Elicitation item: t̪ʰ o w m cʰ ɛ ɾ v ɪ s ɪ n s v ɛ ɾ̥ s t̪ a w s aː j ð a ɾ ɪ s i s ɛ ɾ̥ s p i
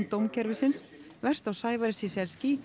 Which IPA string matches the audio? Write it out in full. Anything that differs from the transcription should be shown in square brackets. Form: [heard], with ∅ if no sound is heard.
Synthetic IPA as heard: [t̪] o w m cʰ ɛ ɾ v ɪ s ɪ n s v ɛ [r̥] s t̪ a w s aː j [v] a ɾ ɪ s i s ɛ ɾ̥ s [c] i